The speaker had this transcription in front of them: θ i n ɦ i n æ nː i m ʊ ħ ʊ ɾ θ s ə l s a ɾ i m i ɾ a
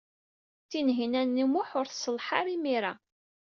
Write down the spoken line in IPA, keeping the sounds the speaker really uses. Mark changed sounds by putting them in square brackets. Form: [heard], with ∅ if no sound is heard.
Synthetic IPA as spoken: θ i n ɦ i n æ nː i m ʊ ħ ʊ ɾ θ s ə l [ħ] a ɾ i m i ɾ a